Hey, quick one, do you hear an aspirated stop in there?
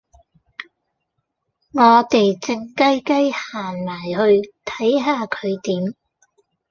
yes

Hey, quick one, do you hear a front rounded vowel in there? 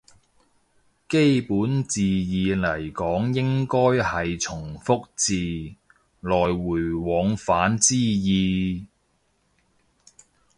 no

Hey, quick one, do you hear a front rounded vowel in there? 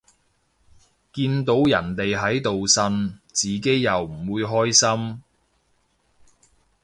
no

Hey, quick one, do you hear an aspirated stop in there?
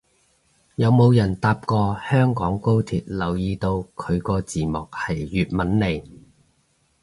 yes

